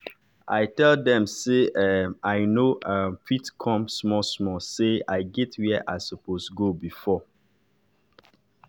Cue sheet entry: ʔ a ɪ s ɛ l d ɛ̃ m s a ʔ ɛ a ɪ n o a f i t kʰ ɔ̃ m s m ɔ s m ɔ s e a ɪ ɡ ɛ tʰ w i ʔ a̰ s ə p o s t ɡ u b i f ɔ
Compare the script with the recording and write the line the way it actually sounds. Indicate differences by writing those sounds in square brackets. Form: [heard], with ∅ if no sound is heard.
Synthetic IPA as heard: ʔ a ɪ [t] ɛ l d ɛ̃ m s [e] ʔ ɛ a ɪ n o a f i t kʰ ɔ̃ m s m ɔ s m ɔ s e a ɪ ɡ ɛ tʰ w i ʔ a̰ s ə p o s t ɡ [o] b i f ɔ